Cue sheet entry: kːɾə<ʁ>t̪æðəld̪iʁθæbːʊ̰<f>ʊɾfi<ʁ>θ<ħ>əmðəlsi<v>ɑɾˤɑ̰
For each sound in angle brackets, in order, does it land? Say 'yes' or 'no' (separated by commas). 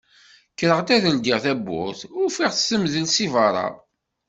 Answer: yes, no, yes, no, yes